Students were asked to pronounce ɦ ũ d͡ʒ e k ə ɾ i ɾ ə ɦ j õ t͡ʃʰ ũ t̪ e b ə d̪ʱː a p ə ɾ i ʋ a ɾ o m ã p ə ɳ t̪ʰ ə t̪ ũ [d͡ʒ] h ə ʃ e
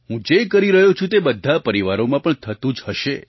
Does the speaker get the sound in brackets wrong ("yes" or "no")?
no